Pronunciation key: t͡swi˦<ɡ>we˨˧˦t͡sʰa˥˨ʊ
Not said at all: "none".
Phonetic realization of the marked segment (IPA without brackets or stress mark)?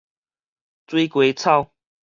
k